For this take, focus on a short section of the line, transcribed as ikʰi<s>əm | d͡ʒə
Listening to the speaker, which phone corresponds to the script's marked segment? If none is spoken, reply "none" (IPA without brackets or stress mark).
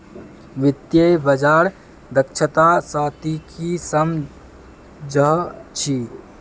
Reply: s